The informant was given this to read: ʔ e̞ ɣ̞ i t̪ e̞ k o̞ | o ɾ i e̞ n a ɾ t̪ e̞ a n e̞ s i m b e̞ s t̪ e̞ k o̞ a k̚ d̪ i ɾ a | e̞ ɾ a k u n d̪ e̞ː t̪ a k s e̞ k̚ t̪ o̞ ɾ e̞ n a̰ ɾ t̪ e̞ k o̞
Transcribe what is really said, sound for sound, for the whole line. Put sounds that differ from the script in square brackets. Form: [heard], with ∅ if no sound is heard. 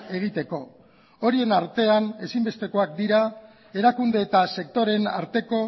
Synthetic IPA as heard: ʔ e̞ ɣ̞ i t̪ e̞ k o̞ | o ɾ i e̞ n a ɾ t̪ e̞ a n e̞ s i m b e̞ s t̪ e̞ k o̞ a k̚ d̪ i ɾ a | e̞ ɾ a k u n d̪ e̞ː t̪ a [∅] s e̞ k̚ t̪ o̞ ɾ e̞ n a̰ ɾ t̪ e̞ k o̞